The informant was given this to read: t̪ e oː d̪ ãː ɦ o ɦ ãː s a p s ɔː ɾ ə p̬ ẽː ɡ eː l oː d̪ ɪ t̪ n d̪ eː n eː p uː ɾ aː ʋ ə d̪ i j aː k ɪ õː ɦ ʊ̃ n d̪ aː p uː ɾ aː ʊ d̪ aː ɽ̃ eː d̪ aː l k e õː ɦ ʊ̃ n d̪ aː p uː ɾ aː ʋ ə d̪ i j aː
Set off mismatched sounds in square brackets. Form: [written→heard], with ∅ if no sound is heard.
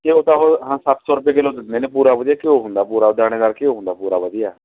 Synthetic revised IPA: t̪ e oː [d̪→t̪] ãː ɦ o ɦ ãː s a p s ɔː ɾ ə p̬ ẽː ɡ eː l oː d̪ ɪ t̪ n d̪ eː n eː p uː ɾ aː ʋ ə d̪ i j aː k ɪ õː ɦ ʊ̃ n d̪ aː p uː ɾ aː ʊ d̪ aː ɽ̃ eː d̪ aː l k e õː ɦ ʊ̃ n d̪ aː p uː ɾ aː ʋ ə d̪ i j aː

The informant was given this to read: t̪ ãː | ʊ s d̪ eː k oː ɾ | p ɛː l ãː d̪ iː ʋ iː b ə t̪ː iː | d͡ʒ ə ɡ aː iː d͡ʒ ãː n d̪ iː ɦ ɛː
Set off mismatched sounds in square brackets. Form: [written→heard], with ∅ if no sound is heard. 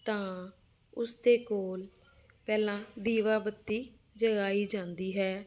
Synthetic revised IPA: t̪ ãː | ʊ s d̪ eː k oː [ɾ→l] | p ɛː l ãː d̪ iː ʋ [iː→aː] b ə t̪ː iː | d͡ʒ ə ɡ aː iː d͡ʒ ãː n d̪ iː ɦ ɛː

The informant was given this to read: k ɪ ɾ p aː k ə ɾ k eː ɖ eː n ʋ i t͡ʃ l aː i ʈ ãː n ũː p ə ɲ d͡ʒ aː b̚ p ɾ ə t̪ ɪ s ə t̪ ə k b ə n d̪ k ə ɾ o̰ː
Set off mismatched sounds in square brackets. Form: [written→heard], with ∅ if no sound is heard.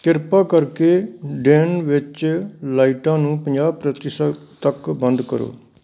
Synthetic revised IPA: k ɪ ɾ p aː k ə ɾ k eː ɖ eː n ʋ [i→ɪ] t͡ʃ l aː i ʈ ãː n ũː p ə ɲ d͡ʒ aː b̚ p ɾ ə t̪ ɪ s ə t̪ ə k b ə n d̪ k ə ɾ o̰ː

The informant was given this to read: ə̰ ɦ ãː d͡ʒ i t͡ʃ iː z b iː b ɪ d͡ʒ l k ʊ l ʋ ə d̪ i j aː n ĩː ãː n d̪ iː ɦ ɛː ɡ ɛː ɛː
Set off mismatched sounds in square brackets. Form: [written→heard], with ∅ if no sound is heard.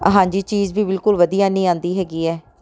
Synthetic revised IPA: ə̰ ɦ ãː d͡ʒ [i→iː] t͡ʃ iː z b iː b ɪ [d͡ʒ→∅] l k ʊ l ʋ ə d̪ i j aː n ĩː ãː n d̪ iː ɦ ɛː ɡ [ɛː→iː] ɛː

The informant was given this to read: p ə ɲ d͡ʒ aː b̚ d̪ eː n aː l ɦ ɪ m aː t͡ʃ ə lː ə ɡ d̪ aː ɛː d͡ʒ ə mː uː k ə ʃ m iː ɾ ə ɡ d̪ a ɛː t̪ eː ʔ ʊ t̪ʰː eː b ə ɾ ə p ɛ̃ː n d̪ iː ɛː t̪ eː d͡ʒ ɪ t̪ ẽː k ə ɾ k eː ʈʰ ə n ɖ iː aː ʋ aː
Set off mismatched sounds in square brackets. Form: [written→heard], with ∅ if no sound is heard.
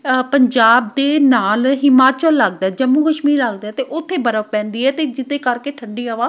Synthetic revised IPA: p ə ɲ d͡ʒ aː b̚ d̪ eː n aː l ɦ ɪ m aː t͡ʃ ə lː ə ɡ d̪ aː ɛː d͡ʒ ə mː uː k ə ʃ m iː ɾ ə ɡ d̪ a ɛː t̪ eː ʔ ʊ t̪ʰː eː b ə ɾ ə p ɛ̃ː n d̪ iː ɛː t̪ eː d͡ʒ ɪ t̪ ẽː k ə ɾ k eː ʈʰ ə [n→ɳ] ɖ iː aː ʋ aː

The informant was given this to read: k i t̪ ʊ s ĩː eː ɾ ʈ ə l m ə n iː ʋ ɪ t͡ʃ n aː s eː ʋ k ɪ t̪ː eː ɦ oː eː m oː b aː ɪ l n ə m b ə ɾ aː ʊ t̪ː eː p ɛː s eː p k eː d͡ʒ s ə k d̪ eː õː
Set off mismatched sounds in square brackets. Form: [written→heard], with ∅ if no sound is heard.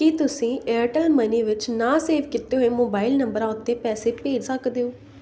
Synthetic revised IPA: k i t̪ ʊ s ĩː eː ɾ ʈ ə l m ə n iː ʋ ɪ t͡ʃ n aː s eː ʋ k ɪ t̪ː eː ɦ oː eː m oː b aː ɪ l n ə m b ə ɾ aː ʊ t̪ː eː p ɛː s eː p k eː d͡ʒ s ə k d̪ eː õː

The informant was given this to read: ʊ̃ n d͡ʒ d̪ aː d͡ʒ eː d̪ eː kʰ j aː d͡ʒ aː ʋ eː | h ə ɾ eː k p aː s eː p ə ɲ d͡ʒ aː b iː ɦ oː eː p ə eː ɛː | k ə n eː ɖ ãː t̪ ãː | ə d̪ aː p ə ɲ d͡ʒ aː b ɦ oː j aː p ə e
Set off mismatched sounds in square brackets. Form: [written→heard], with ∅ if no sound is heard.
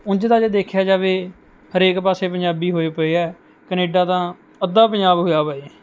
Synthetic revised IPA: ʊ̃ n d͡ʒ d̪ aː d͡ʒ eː d̪ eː kʰ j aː d͡ʒ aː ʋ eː | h ə ɾ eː k p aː s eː p ə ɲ d͡ʒ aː b iː ɦ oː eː p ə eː ɛː | k ə n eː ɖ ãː t̪ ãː | ə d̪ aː p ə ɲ d͡ʒ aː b ɦ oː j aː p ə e

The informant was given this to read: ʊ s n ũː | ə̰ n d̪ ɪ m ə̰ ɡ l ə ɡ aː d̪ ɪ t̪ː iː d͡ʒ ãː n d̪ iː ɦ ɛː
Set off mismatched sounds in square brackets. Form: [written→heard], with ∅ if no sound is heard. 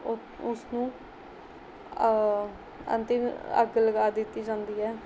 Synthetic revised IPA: ʊ s n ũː | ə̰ n [d̪→t̪] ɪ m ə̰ ɡ l ə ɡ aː d̪ ɪ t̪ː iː d͡ʒ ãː n d̪ iː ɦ ɛː

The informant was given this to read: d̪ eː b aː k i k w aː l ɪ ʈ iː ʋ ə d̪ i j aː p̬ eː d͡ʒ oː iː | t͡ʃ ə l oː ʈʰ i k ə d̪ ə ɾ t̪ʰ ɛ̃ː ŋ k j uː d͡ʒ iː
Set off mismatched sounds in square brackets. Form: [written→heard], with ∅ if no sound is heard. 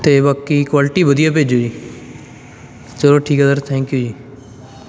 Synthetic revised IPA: [d̪→t̪] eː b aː k i k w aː l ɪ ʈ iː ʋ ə d̪ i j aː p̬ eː d͡ʒ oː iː | t͡ʃ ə l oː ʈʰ [i→iː] k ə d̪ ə ɾ t̪ʰ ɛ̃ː ŋ k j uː d͡ʒ iː

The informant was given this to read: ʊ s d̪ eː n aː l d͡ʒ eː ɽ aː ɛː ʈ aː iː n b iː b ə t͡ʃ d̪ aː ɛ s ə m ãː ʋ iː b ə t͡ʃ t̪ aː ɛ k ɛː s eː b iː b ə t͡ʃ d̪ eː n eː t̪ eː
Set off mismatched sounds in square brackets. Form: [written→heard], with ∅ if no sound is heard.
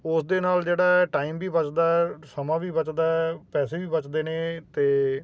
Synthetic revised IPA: ʊ s d̪ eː n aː l d͡ʒ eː ɽ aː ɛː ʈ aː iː [n→m] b iː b ə t͡ʃ d̪ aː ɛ s ə m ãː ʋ iː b ə t͡ʃ [t̪→d̪] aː ɛ [k→p] ɛː s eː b iː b ə t͡ʃ d̪ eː n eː t̪ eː

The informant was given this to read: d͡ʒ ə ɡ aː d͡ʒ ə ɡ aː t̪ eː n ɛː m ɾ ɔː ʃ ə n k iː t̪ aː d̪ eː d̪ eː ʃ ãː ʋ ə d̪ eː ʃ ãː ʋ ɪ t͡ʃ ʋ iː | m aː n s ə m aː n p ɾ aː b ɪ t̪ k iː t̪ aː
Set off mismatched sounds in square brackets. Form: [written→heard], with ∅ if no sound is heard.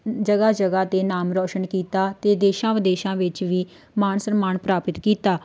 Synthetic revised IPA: d͡ʒ ə ɡ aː d͡ʒ ə ɡ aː t̪ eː n [ɛː→aː] m ɾ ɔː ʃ ə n k iː t̪ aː [d̪→t̪] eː d̪ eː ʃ ãː ʋ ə d̪ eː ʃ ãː ʋ ɪ t͡ʃ ʋ iː | m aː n s ə m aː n p ɾ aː [b→p] ɪ t̪ k iː t̪ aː

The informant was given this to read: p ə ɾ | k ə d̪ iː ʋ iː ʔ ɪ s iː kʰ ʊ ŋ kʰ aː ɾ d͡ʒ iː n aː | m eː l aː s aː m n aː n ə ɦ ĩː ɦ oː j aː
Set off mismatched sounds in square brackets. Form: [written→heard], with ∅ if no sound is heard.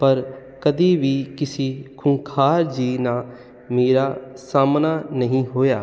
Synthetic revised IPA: p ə ɾ | k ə d̪ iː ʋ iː [ʔ→k] ɪ s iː kʰ ʊ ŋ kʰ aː ɾ d͡ʒ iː n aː | m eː [l→ɾ] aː s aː m n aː n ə ɦ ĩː ɦ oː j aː

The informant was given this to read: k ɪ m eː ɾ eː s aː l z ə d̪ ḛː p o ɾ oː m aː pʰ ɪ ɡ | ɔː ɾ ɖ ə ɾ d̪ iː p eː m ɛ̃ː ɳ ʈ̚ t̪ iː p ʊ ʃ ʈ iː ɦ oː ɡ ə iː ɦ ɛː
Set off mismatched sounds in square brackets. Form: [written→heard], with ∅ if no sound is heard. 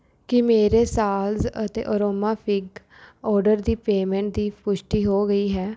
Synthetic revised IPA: k ɪ m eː ɾ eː s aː l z ə [d̪→t̪] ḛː [p→ʔ] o ɾ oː m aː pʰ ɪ ɡ | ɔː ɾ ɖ ə ɾ d̪ iː p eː m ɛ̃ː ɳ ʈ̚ [t̪→d̪] iː p ʊ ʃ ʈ iː ɦ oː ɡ ə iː ɦ ɛː

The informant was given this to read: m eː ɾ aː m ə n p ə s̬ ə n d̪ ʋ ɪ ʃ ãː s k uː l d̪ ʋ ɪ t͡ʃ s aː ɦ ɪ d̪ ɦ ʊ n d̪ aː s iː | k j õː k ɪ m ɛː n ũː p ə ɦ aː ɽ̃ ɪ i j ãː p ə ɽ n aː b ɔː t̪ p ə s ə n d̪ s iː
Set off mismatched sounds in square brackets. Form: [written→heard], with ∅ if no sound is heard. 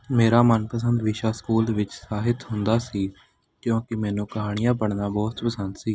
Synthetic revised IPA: m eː ɾ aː m ə n p ə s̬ ə n d̪ ʋ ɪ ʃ [ãː→aː] s k uː l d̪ ʋ ɪ t͡ʃ s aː ɦ ɪ [d̪→t̪] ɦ ʊ n d̪ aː s iː | k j õː k ɪ m ɛː n ũː [p→k] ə ɦ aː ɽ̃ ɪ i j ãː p ə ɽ n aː b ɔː t̪ p ə s ə n d̪ s iː

